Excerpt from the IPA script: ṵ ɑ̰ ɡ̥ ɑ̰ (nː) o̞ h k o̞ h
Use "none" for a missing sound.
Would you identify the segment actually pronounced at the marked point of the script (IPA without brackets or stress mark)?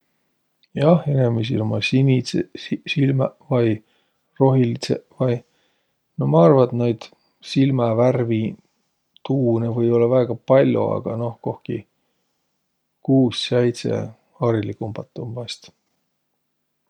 n